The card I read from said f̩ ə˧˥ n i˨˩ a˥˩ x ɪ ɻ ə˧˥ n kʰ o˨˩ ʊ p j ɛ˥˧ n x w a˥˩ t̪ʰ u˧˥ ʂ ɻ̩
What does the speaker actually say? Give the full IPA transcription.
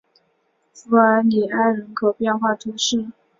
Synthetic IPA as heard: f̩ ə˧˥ n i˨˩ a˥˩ ɪ ɻ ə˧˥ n kʰ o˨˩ ʊ p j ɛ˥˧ n x w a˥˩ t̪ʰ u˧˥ ʂ ɻ̩